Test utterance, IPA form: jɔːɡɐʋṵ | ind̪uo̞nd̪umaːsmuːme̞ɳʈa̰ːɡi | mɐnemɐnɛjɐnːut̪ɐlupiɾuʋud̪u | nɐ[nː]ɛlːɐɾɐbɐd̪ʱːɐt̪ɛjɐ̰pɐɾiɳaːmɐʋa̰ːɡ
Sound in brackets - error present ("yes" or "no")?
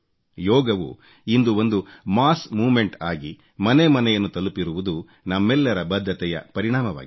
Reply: yes